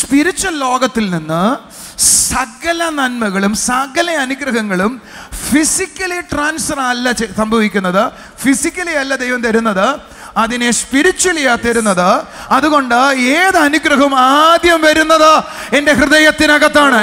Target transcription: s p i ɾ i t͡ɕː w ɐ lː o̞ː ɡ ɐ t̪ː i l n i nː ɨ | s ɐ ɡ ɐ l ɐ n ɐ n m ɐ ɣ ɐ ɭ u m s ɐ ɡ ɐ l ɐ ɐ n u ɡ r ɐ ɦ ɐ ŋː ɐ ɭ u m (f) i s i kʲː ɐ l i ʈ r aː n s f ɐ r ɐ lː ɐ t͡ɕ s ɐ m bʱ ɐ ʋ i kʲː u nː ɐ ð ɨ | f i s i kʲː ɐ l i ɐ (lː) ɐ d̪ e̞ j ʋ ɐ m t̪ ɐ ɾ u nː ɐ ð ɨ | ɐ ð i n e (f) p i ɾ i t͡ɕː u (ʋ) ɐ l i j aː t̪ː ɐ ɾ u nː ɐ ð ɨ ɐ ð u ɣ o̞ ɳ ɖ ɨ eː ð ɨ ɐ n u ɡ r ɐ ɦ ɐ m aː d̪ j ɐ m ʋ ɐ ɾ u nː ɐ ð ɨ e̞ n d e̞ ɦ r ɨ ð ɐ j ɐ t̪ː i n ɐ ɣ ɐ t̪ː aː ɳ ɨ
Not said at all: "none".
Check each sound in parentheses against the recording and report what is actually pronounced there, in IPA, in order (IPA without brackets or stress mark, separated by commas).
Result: f, lː, s, w